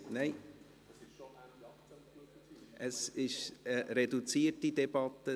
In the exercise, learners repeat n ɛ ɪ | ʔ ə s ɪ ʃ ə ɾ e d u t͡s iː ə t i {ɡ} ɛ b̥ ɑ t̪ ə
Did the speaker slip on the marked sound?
yes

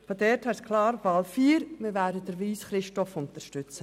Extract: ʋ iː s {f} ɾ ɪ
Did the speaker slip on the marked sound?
yes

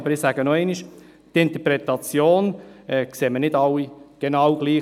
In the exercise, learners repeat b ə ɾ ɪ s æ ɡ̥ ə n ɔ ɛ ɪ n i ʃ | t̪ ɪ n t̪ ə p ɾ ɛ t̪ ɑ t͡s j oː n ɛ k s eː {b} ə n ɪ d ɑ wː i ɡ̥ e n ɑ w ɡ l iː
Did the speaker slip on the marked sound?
yes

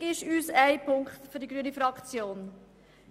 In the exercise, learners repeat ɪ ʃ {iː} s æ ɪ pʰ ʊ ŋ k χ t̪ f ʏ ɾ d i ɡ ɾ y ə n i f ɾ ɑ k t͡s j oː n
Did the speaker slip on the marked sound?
yes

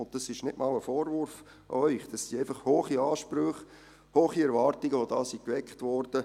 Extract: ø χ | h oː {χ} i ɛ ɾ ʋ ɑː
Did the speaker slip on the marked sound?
no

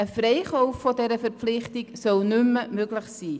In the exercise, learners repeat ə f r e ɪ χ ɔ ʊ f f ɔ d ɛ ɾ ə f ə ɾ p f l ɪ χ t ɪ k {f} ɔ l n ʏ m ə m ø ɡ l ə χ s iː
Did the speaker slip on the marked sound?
yes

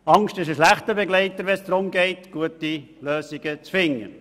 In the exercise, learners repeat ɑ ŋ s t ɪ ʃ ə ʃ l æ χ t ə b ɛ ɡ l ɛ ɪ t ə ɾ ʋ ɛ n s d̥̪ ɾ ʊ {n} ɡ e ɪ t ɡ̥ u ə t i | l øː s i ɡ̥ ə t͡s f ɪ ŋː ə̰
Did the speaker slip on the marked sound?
yes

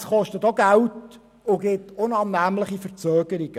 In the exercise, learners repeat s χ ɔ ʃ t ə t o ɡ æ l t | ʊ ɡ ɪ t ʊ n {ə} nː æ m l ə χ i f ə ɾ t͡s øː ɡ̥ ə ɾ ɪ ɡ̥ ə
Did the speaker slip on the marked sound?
yes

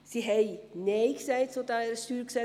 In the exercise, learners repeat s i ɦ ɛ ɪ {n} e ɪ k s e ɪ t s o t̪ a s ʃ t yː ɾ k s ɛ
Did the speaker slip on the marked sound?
no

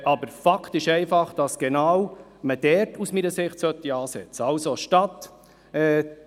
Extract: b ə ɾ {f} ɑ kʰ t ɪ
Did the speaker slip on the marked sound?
no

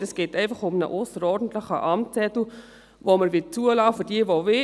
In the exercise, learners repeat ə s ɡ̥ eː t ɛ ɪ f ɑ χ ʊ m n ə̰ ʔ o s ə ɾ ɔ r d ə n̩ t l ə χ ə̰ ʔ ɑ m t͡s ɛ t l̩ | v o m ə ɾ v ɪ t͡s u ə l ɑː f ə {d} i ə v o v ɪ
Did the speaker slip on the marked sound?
no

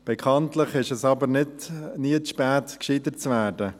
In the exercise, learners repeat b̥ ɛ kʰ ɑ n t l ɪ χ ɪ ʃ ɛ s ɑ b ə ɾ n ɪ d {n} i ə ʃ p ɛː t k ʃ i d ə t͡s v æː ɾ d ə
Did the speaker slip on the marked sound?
no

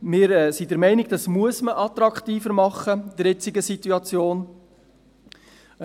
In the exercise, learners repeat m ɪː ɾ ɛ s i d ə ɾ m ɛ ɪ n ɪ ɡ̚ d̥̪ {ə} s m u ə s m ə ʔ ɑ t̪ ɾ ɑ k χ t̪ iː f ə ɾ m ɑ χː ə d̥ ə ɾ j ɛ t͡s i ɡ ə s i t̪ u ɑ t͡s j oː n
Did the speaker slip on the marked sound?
yes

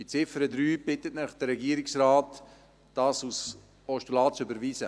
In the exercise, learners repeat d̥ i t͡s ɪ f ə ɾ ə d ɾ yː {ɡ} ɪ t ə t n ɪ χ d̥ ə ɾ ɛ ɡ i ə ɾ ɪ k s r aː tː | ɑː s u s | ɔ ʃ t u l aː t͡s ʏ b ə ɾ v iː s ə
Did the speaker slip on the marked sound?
yes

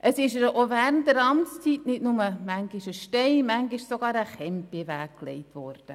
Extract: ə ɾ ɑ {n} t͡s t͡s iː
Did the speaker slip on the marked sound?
yes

